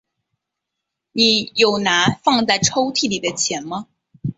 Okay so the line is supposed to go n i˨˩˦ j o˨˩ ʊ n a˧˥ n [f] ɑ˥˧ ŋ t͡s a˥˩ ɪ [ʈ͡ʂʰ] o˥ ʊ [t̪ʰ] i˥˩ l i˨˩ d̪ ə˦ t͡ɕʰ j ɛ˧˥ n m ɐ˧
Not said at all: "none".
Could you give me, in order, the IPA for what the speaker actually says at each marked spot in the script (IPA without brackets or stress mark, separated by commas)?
f, ʈ͡ʂʰ, t̪ʰ